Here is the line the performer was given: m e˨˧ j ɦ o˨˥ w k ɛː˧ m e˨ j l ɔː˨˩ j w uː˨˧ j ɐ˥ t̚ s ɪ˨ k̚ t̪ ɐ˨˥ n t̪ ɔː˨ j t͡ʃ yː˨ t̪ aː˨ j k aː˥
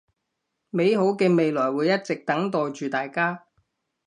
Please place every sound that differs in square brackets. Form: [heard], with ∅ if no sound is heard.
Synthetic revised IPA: m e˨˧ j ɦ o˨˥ w k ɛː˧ m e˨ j l ɔː˨˩ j w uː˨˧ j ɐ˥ t̚ [t͡s] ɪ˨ k̚ t̪ ɐ˨˥ [ŋ] t̪ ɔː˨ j t͡ʃ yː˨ t̪ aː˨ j k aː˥